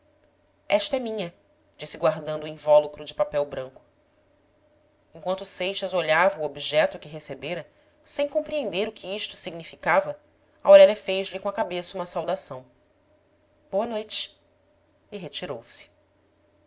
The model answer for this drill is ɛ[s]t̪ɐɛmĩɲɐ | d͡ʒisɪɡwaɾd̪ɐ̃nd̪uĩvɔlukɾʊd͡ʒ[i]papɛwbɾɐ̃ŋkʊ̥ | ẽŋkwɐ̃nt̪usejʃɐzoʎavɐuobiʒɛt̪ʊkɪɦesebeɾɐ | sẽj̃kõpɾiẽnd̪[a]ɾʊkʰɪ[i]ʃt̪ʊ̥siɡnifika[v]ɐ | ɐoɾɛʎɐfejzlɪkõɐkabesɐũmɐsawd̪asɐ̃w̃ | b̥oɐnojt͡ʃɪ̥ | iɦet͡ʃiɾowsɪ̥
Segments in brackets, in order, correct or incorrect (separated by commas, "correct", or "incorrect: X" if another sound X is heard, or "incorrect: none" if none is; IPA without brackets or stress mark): incorrect: ʃ, incorrect: ɪ, incorrect: e, correct, correct